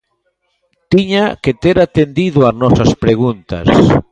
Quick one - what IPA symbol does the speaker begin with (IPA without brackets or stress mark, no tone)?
t̪